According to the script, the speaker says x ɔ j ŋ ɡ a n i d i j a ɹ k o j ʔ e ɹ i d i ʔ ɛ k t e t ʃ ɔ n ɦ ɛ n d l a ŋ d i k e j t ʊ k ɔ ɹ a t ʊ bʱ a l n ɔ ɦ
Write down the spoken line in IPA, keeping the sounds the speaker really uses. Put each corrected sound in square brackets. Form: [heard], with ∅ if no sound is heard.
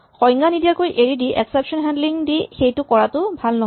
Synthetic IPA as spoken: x ɔ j ŋ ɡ a n i d i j a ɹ k o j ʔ e ɹ i d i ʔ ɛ k [s] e [p] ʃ ɔ n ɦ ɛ n d l [i] ŋ d i [x] e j t ʊ k ɔ ɹ a t ʊ bʱ a l n ɔ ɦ